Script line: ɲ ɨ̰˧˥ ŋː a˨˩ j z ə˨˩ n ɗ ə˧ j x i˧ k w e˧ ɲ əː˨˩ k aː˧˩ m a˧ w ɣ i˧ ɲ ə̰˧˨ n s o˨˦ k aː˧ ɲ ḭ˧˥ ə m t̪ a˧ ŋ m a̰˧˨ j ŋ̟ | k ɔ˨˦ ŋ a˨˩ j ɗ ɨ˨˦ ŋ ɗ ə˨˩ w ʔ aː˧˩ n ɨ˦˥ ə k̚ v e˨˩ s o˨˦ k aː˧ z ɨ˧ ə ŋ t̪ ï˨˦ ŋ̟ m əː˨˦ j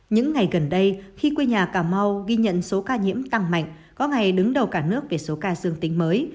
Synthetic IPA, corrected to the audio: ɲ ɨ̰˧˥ ŋː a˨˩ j ɣ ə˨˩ n ɗ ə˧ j x i˧ k w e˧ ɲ aː˨˩ k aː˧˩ m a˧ w ɣ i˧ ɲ ə̰˧˨ n s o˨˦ k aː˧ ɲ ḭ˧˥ ə m t̪ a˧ ŋ m a̰˧˨ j ŋ̟ | k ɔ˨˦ ŋ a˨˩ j ɗ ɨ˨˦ ŋ ɗ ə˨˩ w k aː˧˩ n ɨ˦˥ ə k̚ v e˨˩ s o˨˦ k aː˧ z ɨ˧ ə ŋ t̪ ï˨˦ ŋ̟ m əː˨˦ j